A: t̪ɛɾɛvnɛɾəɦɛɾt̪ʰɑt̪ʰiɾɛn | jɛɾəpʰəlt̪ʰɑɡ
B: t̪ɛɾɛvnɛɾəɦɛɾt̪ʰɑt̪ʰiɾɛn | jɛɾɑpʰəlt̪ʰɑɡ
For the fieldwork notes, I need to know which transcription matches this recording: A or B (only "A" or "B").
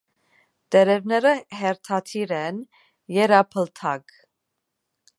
B